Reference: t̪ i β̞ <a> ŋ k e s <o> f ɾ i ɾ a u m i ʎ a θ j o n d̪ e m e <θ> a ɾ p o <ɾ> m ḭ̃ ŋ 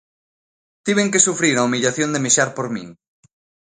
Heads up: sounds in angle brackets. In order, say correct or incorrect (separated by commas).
incorrect, incorrect, incorrect, correct